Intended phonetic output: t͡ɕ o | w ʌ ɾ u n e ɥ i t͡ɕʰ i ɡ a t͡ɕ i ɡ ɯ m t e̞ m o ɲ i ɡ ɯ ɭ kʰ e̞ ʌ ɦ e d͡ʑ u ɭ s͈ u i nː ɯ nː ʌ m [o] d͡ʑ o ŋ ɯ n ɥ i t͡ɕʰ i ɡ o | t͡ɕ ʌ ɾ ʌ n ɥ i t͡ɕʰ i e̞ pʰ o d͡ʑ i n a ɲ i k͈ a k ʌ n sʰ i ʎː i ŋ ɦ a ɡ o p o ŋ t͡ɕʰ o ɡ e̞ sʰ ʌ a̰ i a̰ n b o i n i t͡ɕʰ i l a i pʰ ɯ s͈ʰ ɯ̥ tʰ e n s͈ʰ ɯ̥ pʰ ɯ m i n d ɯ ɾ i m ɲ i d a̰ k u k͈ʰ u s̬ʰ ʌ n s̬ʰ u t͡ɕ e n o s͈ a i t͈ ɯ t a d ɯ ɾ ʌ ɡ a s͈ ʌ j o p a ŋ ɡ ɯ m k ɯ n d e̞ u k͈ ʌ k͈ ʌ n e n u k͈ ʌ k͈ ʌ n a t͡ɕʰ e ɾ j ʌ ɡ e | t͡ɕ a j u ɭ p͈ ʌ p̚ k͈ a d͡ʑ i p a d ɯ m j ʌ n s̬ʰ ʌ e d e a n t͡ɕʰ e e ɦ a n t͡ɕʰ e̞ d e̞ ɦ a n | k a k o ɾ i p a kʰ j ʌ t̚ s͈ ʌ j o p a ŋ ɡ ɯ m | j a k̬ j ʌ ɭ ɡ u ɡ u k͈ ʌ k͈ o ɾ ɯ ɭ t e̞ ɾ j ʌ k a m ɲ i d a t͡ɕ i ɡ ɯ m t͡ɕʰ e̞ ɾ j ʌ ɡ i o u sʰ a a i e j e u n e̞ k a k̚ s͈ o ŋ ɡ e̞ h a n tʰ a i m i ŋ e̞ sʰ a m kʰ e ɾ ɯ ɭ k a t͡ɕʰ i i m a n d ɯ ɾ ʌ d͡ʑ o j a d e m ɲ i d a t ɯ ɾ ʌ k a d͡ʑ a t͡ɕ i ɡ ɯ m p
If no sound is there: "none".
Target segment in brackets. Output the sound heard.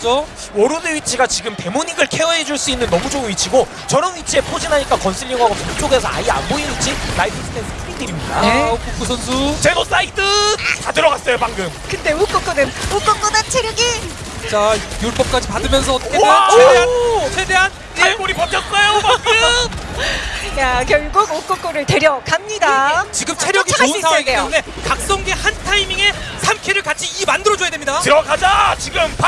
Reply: u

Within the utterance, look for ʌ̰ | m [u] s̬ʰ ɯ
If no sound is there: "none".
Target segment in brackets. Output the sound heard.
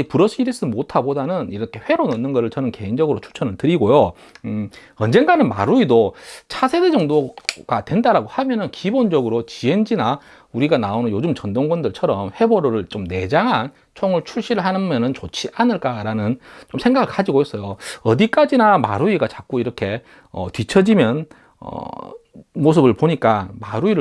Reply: o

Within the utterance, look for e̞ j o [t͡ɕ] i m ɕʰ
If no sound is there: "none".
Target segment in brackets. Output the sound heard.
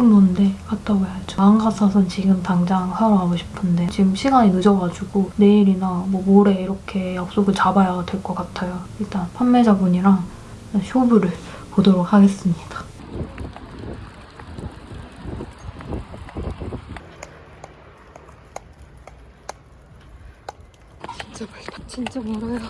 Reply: t͡ɕ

